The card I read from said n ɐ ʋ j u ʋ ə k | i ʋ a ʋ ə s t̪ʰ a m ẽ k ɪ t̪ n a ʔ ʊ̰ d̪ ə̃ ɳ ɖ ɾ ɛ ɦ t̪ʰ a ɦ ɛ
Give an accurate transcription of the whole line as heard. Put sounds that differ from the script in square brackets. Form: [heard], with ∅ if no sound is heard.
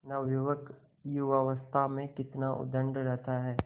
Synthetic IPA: n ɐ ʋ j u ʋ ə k | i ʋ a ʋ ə s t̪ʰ a m ẽ k ɪ t̪ n a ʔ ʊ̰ d̪ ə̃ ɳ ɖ ɾ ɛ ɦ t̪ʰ a ɦ [ɛː]